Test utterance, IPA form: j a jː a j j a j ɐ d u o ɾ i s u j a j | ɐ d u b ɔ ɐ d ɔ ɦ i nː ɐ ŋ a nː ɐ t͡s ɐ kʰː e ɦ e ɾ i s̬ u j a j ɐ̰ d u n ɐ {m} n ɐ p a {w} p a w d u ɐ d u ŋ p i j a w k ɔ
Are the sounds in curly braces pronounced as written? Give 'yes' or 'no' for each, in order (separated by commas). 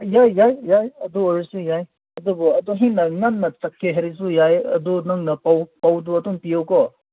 no, yes